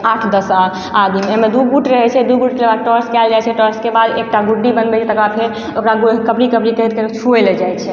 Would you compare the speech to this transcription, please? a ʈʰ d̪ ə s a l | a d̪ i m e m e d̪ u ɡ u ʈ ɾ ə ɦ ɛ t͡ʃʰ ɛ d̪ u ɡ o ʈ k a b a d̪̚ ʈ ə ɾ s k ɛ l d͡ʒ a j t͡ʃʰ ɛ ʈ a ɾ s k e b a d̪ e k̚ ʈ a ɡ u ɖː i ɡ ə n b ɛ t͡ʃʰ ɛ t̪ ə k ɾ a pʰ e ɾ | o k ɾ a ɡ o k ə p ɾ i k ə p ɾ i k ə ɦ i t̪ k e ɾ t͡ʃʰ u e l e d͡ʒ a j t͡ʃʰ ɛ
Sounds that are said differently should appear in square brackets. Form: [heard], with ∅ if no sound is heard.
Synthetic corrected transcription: a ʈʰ d̪ ə s a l | a d̪ i m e m e d̪ u ɡ u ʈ ɾ ə ɦ ɛ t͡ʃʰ ɛ d̪ u ɡ [u] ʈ k [e] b a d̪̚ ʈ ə ɾ s k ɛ l d͡ʒ a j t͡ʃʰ ɛ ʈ [ə] ɾ s k e b a d̪ e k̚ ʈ a ɡ u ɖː i [b] ə n b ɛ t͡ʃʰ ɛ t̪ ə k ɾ a pʰ e ɾ | o k ɾ a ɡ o k ə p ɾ i k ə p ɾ i k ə ɦ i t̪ k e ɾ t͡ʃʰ u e l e d͡ʒ a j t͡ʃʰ ɛ